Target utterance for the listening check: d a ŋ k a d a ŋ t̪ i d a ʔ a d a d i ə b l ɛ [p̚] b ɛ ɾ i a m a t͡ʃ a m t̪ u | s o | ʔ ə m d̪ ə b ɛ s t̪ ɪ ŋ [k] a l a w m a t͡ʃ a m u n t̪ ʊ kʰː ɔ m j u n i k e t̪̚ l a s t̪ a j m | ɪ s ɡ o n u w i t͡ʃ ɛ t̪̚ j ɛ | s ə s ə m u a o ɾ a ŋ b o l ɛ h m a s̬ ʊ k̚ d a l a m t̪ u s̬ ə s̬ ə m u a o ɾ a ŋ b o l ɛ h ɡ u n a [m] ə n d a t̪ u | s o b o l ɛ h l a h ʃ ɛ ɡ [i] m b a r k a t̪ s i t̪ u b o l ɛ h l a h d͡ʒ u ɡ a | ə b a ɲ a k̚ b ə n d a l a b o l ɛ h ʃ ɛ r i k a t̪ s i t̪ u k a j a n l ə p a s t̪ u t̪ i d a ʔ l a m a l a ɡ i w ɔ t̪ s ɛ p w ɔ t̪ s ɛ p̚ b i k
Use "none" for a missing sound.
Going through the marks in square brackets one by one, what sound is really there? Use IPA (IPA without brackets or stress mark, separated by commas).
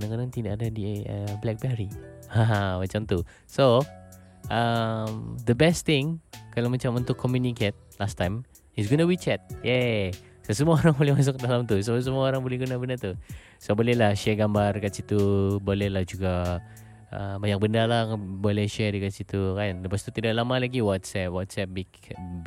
k̚, k, b, a